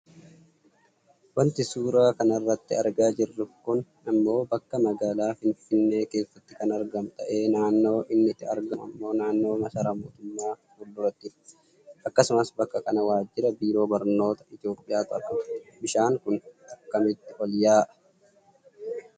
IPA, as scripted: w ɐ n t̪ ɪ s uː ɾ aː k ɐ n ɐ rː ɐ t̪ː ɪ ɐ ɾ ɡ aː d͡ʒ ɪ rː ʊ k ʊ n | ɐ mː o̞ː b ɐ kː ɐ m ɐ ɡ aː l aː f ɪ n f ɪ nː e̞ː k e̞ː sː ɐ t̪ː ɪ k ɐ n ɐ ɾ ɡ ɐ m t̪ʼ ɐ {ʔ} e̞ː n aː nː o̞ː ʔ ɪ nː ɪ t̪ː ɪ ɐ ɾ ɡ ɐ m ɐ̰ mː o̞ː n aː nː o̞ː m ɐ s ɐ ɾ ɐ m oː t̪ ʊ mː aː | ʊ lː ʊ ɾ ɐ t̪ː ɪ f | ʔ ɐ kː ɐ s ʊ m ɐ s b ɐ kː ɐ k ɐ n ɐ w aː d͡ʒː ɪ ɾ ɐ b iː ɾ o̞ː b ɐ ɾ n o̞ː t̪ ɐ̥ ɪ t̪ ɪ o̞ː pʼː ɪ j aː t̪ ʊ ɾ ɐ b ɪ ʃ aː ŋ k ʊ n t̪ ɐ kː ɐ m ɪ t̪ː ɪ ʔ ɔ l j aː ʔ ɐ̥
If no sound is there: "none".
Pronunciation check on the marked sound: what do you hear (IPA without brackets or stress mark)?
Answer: ʔ